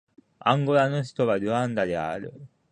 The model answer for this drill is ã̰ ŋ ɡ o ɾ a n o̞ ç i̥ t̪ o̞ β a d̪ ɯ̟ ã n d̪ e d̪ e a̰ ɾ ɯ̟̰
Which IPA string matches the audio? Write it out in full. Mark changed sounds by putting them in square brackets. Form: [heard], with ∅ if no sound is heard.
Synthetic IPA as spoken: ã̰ ŋ ɡ o ɾ a n o̞ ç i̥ t̪ o̞ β a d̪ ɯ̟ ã n d̪ [a] d̪ e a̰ ɾ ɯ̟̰